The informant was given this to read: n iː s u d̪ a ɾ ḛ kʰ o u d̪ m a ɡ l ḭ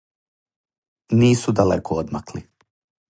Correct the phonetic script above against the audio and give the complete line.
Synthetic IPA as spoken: n iː s u d̪ a l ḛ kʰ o o d̪ m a k l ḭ